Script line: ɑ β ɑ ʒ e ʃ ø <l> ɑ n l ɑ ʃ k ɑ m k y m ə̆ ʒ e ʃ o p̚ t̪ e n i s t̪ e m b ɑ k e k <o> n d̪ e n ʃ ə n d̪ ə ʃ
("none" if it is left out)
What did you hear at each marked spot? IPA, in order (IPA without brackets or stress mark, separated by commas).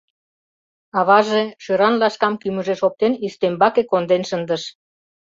ɾ, o